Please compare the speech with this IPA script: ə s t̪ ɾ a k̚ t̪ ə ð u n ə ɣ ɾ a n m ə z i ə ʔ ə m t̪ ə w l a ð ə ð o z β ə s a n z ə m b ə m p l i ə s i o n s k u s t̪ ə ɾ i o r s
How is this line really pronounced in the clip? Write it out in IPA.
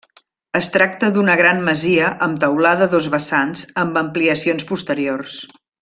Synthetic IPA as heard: ə s t̪ ɾ a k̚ t̪ ə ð u n ə ɣ ɾ a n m ə z i ə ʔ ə m t̪ ə w l a ð ə ð o z β ə s a n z ə m b ə m p l i ə s i o n s p u s t̪ ə ɾ i o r s